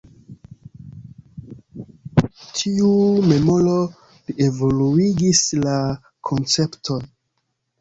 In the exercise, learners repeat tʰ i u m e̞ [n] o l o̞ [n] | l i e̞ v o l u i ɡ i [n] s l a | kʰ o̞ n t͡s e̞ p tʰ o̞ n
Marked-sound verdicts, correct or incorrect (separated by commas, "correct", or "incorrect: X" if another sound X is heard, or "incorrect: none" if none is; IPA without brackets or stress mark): incorrect: m, incorrect: none, incorrect: none